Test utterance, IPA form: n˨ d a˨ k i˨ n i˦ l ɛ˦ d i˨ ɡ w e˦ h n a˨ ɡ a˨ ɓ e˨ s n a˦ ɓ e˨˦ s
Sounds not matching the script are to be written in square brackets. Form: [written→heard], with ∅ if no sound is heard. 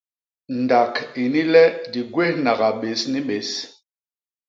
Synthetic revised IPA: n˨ d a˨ k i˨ n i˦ l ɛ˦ d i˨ ɡ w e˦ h n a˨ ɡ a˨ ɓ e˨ s n [a˦→i˦] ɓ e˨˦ s